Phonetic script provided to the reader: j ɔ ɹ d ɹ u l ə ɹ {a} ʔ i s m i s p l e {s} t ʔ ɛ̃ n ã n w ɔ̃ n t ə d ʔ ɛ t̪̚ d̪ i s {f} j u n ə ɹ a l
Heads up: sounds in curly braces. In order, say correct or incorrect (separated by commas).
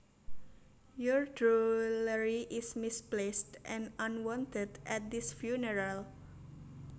incorrect, correct, correct